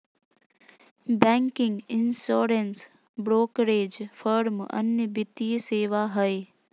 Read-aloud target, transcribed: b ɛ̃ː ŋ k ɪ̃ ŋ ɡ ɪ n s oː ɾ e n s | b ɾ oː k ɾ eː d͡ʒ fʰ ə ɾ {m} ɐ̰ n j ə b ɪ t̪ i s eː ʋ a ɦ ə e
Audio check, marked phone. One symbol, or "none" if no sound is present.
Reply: m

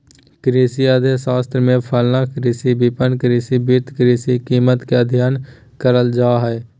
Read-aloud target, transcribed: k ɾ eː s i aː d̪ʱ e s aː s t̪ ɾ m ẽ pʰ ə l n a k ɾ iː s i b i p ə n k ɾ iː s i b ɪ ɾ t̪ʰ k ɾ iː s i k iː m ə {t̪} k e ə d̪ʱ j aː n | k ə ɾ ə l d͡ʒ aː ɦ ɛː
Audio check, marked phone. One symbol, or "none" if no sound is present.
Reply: t̪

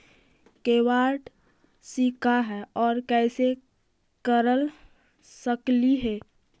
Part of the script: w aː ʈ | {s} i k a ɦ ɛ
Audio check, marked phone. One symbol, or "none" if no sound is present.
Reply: s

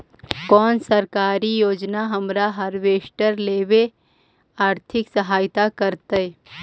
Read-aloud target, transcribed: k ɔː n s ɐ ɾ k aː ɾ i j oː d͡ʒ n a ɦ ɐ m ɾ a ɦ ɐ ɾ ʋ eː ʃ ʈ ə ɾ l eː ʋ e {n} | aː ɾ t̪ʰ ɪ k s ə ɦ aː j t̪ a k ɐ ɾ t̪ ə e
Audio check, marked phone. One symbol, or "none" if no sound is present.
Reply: none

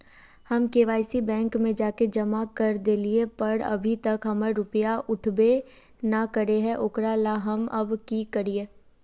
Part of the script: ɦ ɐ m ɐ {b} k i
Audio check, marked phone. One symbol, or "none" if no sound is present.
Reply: b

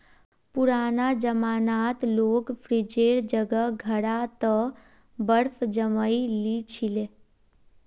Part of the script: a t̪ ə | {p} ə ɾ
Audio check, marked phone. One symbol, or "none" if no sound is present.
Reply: b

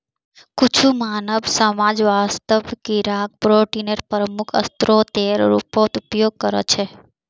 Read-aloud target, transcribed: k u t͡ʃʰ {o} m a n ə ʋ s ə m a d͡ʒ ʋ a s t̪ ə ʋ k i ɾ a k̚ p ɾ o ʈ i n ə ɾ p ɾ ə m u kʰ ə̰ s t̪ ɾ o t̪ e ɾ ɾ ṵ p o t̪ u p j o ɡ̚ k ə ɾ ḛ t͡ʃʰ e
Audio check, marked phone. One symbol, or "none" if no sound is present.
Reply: u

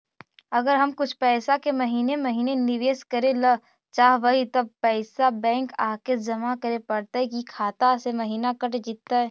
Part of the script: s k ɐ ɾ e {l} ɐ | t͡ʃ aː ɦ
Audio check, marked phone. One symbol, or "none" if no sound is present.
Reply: l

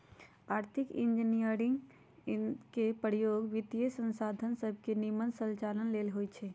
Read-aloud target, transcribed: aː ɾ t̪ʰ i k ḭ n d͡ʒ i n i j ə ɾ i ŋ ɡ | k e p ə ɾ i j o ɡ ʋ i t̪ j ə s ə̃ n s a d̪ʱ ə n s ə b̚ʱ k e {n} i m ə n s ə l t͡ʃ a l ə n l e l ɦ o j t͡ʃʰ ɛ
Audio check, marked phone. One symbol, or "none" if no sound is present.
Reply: n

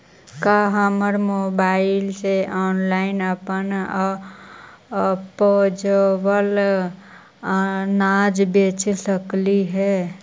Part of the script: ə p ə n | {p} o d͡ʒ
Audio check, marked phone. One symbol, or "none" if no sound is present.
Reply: p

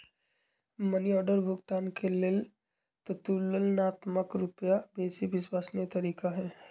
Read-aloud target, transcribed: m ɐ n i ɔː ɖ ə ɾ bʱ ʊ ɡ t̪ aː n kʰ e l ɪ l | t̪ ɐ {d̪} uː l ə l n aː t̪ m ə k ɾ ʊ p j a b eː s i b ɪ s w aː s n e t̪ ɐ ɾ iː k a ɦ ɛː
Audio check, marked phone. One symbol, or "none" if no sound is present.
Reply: t̪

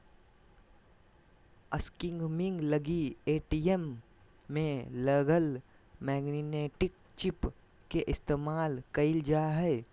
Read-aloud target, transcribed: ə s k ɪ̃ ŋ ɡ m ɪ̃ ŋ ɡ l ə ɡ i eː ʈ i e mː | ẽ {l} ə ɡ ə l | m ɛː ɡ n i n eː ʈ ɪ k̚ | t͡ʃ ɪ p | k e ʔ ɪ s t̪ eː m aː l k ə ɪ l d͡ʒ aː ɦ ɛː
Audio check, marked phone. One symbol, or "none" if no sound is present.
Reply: l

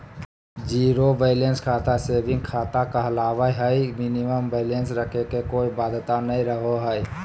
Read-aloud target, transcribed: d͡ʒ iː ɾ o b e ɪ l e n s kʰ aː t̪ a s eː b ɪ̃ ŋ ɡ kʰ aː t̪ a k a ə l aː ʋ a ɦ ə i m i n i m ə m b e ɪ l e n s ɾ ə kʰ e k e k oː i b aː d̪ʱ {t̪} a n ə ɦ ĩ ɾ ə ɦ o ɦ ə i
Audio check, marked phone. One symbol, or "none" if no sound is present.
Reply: t̪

